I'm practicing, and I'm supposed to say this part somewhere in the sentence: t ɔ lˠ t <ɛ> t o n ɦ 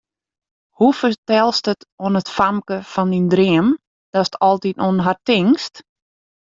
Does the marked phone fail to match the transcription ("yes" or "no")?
yes